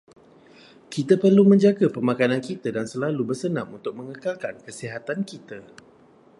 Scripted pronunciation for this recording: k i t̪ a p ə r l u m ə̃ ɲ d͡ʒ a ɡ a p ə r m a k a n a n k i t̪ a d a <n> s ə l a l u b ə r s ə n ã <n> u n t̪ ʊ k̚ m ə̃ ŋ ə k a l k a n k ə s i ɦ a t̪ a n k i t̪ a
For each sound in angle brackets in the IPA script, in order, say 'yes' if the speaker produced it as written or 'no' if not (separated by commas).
yes, no